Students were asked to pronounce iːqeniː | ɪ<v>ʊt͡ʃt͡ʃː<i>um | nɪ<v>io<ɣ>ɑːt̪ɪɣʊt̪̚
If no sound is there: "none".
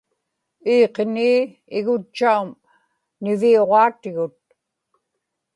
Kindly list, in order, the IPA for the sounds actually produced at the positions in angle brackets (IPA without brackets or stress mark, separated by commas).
ɣ, a, v, ʁ